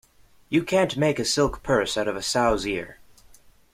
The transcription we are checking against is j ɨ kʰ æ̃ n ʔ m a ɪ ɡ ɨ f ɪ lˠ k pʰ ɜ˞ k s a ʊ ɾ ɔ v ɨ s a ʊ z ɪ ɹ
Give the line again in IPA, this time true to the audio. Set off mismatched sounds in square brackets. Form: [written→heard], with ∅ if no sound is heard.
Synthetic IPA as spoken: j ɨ kʰ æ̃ n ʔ m [a→e] ɪ [ɡ→k] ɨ [f→s] ɪ lˠ k pʰ ɜ˞ [k→∅] s a ʊ ɾ [ɔ→ʌ] v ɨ s a ʊ z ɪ ɹ